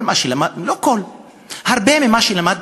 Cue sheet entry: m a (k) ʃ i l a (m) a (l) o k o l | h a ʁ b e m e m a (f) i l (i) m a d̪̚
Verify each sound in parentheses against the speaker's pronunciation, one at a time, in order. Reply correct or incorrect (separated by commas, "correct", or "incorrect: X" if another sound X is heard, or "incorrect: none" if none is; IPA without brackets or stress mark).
incorrect: none, correct, correct, incorrect: ʃ, incorrect: a